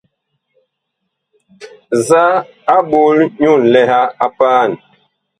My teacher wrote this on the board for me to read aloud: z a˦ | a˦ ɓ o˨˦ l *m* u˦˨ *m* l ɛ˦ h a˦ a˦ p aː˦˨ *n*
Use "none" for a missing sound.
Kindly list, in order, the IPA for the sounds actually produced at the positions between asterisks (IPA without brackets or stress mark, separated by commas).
ɲ, n, n